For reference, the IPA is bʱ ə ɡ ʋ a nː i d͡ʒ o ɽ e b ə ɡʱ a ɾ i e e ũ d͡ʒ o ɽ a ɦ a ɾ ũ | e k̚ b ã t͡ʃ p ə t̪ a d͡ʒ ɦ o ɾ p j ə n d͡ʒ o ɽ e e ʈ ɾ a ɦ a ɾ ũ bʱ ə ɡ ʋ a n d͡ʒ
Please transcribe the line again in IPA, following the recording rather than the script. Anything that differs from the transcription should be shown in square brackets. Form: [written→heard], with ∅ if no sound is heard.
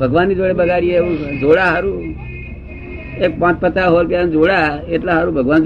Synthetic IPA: bʱ ə ɡ ʋ a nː i d͡ʒ o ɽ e b ə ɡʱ a ɾ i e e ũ d͡ʒ o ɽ a ɦ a ɾ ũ | e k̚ [b→p] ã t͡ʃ p ə t̪ a [d͡ʒ→∅] ɦ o ɾ p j [ə→a] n d͡ʒ o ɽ [e→a] e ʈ [ɾ→l] a ɦ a ɾ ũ bʱ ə ɡ ʋ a n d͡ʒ